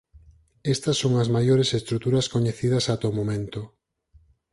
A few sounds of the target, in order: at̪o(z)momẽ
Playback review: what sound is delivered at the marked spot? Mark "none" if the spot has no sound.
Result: none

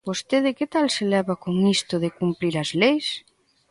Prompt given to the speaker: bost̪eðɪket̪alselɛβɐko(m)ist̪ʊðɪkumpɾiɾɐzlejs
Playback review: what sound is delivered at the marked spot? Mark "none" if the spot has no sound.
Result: ŋ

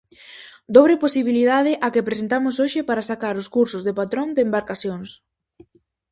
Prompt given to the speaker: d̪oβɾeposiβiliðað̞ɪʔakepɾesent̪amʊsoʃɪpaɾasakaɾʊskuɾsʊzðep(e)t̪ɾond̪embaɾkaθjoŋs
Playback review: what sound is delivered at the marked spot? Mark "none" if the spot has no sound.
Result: a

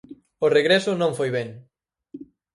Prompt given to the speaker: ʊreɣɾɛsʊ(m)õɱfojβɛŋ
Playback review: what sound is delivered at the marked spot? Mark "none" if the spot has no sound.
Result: n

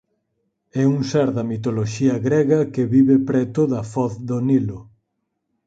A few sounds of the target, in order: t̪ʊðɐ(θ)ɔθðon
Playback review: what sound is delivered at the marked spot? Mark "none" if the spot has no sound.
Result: f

